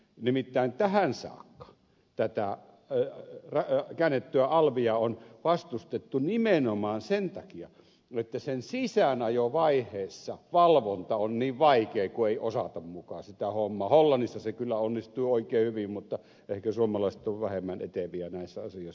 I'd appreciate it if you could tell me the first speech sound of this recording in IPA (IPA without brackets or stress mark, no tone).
n